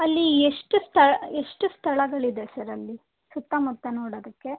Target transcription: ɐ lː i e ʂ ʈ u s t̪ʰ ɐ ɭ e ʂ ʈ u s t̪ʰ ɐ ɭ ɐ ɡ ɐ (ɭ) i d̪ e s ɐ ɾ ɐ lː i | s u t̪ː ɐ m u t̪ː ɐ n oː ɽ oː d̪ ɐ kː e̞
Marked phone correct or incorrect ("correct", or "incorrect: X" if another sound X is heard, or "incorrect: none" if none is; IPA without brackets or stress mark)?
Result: correct